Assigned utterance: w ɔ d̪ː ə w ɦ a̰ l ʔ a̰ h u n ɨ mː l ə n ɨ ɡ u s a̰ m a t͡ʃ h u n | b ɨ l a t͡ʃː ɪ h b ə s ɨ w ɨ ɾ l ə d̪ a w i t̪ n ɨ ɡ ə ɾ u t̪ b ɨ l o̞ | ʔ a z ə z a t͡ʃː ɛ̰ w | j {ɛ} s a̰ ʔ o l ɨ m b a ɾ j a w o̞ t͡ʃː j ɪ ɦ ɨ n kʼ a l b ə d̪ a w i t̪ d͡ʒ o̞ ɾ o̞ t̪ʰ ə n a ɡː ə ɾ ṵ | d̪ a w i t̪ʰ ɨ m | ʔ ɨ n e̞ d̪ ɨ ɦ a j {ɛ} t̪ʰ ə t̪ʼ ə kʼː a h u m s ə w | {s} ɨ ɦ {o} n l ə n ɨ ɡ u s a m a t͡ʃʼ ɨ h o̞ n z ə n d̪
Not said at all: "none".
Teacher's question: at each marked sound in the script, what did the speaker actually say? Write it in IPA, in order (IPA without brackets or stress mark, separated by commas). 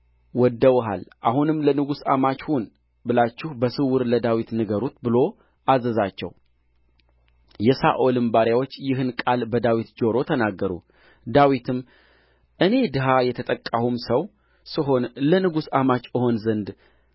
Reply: ɛ, ɛ, s, o